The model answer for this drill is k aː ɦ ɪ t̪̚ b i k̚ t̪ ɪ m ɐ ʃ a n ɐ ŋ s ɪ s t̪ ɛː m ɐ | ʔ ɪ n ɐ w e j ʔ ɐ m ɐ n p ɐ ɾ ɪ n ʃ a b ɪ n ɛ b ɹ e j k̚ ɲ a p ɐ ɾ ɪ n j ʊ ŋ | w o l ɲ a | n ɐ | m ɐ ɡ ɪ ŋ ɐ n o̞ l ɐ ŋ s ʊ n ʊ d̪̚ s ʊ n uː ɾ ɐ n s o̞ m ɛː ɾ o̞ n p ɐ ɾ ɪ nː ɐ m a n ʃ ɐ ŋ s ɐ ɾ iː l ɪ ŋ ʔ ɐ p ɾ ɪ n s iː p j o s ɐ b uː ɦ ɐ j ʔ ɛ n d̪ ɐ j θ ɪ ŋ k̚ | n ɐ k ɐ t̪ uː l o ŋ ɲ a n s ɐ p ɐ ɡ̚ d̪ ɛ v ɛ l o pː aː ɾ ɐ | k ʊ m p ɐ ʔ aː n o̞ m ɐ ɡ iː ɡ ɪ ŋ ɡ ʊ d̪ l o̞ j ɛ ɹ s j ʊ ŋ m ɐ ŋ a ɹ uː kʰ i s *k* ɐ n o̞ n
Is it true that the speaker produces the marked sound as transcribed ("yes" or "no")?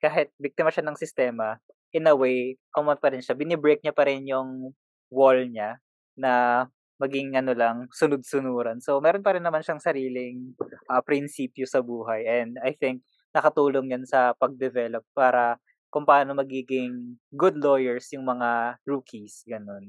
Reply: no